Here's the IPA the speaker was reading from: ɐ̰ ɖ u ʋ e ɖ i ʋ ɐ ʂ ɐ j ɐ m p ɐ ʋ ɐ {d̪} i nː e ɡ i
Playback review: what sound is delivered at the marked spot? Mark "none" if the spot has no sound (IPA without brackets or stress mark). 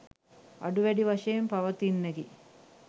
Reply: t̪